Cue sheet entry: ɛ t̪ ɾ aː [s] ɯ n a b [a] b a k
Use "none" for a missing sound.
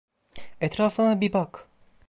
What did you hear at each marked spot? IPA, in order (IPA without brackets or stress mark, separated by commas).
f, i